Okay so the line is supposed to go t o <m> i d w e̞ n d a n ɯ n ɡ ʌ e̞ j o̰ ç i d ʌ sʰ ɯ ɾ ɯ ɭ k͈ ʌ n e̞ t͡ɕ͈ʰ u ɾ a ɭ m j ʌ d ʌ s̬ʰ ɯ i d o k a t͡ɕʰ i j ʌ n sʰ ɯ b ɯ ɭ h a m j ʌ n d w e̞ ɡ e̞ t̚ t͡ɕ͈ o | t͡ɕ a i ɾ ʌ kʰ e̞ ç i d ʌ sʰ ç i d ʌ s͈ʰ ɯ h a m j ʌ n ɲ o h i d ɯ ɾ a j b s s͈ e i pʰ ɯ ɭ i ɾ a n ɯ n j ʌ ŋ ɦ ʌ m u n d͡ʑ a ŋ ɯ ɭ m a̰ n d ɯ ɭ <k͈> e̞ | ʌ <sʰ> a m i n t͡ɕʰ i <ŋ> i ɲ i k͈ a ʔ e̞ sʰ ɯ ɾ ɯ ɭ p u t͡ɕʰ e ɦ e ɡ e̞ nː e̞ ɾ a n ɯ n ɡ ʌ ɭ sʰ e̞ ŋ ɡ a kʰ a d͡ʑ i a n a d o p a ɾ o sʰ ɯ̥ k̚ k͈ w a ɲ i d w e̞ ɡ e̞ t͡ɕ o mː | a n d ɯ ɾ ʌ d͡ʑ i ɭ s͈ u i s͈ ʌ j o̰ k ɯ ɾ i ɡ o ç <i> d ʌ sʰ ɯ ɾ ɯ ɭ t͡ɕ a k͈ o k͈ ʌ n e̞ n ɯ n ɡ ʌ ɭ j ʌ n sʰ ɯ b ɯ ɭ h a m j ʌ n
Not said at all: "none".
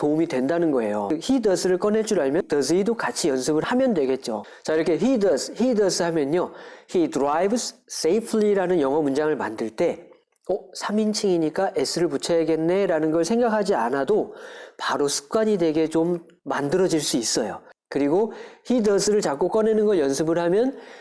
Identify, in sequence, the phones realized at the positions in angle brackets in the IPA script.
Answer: m, t͈, sʰ, ŋ, i

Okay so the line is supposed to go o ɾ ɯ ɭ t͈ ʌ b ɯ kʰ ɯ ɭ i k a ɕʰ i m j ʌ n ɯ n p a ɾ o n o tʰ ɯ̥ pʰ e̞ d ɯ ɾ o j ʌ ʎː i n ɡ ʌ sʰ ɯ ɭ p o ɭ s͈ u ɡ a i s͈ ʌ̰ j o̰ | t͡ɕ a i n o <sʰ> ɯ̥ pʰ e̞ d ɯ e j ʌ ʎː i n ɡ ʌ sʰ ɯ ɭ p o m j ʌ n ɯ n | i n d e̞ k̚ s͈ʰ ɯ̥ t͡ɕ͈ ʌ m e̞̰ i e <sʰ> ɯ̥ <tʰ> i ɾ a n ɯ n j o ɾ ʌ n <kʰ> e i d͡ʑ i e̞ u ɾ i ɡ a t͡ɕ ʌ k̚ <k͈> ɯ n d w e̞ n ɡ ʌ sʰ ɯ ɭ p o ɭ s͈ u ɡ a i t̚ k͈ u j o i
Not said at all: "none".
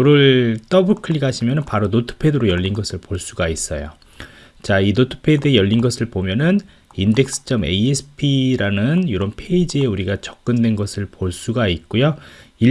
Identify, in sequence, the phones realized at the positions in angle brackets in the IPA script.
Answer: tʰ, sʰ, pʰ, pʰ, k͈

